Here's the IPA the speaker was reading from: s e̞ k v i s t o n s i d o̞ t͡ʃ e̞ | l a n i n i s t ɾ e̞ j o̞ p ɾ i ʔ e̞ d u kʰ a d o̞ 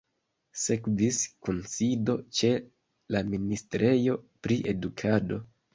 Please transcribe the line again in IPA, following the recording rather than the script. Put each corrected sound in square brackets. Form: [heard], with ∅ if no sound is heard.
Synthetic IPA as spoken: s e̞ k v i s [k] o n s i d o̞ t͡ʃ e̞ | l a [m] i n i s t ɾ e̞ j o̞ p ɾ i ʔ e̞ d u kʰ a d o̞